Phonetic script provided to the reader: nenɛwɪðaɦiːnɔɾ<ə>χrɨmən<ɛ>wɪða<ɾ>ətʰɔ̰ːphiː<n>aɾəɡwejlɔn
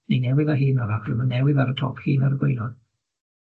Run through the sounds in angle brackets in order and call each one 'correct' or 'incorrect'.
incorrect: a, correct, correct, correct

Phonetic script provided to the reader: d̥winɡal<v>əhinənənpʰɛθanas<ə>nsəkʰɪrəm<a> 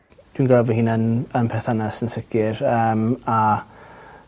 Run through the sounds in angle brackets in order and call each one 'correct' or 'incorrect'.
correct, correct, correct

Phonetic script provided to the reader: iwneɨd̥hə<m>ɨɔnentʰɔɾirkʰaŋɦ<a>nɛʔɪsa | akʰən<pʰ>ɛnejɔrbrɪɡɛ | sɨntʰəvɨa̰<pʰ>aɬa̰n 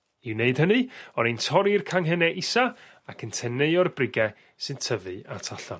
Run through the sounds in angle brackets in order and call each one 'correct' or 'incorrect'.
incorrect: n, incorrect: ɛ, incorrect: tʰ, incorrect: tʰ

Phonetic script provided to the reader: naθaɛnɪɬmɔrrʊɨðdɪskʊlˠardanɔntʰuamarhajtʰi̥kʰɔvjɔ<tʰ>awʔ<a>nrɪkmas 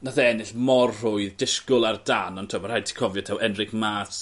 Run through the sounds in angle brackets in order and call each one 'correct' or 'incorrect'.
correct, incorrect: ɛ

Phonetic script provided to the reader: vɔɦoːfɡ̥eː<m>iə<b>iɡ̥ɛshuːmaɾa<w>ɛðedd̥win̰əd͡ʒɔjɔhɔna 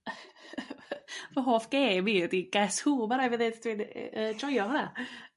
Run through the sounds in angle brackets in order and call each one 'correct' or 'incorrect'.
correct, incorrect: d, incorrect: v

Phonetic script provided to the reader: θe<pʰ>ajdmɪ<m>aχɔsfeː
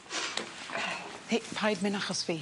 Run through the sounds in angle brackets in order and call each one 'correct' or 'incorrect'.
correct, incorrect: n

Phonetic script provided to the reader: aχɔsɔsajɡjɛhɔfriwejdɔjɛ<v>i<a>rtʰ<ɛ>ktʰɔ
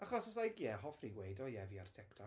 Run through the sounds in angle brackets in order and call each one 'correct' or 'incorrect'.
correct, correct, correct

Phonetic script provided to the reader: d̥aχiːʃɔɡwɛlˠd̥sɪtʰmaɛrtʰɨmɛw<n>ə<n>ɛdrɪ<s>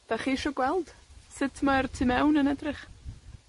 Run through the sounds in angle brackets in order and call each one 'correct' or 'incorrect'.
correct, correct, incorrect: χ

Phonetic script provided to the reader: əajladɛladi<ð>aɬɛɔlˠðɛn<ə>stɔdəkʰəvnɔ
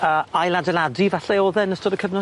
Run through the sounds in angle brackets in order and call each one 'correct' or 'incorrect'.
incorrect: v, correct

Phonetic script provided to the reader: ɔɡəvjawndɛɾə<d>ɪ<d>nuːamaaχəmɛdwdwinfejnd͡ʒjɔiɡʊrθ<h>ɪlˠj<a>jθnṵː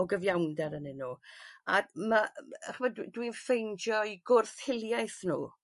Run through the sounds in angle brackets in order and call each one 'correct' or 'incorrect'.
incorrect: n, incorrect: none, correct, correct

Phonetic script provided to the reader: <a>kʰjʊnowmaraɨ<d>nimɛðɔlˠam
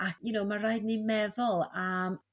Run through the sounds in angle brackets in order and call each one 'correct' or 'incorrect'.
correct, correct

